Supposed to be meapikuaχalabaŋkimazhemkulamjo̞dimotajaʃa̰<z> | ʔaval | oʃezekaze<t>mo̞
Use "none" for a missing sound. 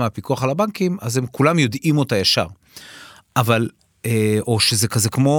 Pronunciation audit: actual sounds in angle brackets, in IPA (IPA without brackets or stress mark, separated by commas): ʁ, k